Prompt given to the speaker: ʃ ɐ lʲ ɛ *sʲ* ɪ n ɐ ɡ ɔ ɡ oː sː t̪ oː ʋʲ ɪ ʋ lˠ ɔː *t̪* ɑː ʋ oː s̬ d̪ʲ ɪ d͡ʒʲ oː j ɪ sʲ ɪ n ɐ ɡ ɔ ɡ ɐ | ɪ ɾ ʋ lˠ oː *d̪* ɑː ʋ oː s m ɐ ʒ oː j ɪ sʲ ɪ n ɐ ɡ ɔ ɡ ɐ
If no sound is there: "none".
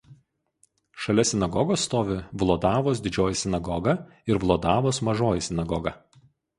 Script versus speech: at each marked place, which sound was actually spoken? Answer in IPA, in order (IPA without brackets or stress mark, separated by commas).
sʲ, d̪, d̪